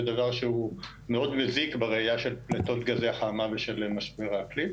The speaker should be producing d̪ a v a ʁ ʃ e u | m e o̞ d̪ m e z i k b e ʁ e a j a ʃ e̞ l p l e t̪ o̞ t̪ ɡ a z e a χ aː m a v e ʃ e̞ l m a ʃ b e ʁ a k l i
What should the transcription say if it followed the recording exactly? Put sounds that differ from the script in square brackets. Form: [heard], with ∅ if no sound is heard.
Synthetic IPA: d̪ a v a ʁ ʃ e u | m e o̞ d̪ m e z i k b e ʁ e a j a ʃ e̞ l p l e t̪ o̞ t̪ ɡ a z e a χ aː m a v e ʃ e̞ l m a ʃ b e ʁ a k l i